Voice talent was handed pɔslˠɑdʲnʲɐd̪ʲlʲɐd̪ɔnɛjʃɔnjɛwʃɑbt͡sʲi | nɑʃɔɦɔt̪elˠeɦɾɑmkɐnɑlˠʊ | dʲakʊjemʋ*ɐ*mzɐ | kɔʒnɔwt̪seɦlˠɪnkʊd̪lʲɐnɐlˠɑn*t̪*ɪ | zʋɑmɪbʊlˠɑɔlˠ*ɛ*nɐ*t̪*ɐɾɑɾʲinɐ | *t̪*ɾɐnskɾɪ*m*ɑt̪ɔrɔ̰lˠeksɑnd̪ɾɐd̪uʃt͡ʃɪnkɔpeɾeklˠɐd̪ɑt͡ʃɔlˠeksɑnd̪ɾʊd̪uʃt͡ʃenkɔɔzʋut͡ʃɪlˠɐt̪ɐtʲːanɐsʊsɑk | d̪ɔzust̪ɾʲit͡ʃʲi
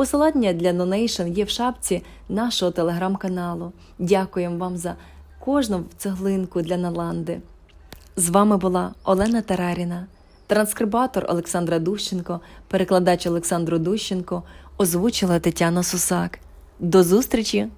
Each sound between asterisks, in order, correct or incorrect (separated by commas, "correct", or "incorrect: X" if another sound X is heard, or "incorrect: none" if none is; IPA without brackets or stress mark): incorrect: ɑ, incorrect: d̪, correct, correct, correct, incorrect: b